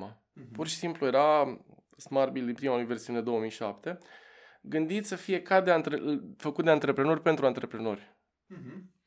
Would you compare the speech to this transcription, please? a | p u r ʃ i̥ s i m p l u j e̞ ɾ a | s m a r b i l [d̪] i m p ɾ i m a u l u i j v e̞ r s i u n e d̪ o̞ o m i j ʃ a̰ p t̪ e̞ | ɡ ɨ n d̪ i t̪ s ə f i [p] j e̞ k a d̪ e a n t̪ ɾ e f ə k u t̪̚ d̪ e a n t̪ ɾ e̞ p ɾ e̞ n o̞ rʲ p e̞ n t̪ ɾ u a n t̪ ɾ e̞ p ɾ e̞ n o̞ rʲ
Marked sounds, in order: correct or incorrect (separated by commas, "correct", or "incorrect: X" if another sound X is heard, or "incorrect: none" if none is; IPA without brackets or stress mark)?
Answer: correct, incorrect: none